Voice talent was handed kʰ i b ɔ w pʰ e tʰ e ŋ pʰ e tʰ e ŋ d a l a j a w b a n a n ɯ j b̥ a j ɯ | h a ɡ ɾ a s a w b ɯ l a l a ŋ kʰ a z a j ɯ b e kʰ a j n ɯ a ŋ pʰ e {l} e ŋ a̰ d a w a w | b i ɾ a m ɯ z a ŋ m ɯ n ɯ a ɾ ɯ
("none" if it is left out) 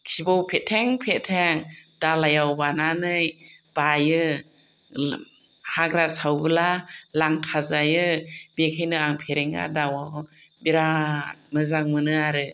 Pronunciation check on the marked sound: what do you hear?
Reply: ɾ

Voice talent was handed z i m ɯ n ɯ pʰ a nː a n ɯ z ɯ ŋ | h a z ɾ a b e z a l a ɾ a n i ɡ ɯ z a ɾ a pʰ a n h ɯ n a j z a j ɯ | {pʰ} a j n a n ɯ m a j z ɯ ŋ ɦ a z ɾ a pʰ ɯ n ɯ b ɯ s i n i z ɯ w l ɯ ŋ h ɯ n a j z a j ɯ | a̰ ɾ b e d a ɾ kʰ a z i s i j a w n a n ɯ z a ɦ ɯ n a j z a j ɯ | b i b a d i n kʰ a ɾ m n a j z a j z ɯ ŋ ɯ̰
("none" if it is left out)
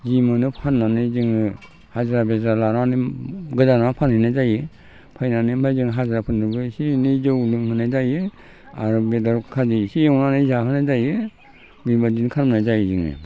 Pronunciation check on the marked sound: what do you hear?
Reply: pʰ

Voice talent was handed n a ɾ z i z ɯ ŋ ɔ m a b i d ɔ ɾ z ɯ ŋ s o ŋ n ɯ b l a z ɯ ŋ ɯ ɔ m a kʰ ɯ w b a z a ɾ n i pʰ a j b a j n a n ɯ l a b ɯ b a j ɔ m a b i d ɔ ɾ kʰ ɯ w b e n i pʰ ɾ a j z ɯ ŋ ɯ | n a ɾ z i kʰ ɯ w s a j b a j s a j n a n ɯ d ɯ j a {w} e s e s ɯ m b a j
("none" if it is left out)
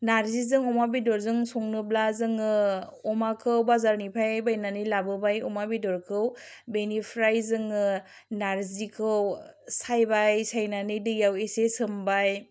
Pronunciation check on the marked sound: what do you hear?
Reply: w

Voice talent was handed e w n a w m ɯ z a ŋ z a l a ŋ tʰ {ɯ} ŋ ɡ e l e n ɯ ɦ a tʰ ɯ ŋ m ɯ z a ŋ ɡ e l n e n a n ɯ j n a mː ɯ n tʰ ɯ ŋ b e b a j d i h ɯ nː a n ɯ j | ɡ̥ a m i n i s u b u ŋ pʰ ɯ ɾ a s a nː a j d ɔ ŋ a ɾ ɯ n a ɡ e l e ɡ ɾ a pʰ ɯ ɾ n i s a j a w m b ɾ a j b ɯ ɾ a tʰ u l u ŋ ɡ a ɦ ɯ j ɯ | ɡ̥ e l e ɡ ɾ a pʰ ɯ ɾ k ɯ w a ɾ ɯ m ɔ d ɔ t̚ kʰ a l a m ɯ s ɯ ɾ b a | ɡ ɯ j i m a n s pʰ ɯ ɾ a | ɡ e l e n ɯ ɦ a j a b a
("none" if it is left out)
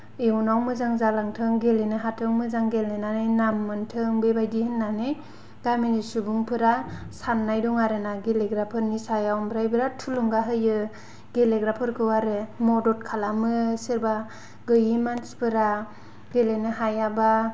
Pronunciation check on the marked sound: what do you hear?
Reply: ɯ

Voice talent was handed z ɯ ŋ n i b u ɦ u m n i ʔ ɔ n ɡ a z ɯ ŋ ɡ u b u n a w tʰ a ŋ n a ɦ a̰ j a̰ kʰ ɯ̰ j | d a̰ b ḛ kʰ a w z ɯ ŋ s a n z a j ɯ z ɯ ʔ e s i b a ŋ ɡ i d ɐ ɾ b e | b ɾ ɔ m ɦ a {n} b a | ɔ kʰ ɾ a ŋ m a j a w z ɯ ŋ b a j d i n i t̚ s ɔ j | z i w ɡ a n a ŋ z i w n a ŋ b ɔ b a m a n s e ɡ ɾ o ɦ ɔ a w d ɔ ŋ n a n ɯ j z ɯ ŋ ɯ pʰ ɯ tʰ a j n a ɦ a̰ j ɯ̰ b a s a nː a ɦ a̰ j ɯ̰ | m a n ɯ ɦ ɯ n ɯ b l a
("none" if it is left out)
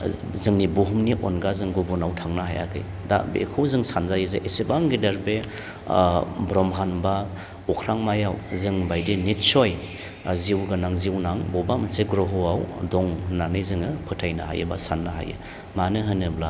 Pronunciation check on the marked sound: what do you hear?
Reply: n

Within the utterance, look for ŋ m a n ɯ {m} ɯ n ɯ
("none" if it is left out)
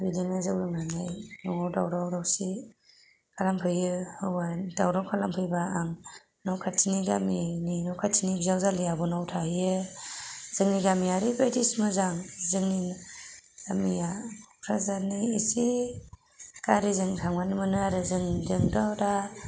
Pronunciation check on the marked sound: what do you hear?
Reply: m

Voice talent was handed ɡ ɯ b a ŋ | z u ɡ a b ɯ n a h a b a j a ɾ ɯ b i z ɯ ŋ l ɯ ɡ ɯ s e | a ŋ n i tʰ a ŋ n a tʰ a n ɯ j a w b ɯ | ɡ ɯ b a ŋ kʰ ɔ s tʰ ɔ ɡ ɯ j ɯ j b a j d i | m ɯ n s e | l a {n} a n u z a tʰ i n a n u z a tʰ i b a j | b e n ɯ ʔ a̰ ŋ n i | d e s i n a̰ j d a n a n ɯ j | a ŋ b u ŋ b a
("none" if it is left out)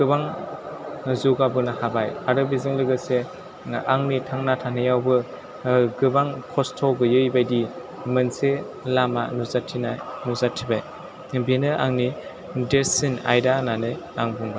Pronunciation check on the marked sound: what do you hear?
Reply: m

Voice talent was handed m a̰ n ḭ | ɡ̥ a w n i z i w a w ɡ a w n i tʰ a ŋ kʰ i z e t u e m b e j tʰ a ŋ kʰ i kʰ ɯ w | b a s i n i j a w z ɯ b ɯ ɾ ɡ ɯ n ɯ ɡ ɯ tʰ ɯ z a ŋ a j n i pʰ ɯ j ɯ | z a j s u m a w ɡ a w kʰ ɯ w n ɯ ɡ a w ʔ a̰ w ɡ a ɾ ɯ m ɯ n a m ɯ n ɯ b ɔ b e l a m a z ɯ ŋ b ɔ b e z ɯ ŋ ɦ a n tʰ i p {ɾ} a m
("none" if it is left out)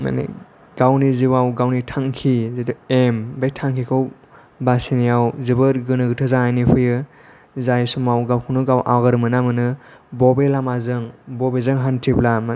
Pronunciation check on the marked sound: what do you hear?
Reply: l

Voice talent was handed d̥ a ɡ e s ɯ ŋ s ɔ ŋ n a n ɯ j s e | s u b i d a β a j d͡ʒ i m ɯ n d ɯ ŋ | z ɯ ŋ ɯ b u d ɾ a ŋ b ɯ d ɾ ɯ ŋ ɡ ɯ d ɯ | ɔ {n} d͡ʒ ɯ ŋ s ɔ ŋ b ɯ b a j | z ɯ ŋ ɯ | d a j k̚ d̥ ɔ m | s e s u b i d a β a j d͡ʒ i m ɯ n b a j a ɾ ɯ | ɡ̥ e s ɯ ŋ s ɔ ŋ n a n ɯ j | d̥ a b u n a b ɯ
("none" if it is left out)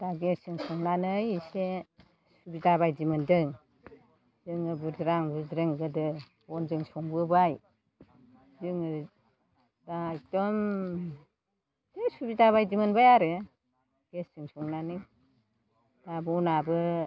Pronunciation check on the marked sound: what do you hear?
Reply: n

